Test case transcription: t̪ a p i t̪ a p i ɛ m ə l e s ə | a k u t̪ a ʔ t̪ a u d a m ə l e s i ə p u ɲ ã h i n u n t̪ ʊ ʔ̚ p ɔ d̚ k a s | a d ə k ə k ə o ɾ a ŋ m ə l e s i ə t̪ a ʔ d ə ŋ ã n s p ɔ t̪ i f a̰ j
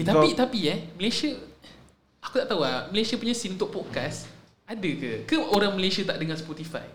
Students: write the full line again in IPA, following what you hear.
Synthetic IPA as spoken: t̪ a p i t̪ a p i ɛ m ə l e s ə | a k u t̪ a ʔ t̪ a u a m ə l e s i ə p u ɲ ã s i n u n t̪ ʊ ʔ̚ p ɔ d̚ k a s | a d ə k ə k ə o ɾ a ŋ m ə l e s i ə t̪ a ʔ d ə ŋ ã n s p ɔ t̪ i f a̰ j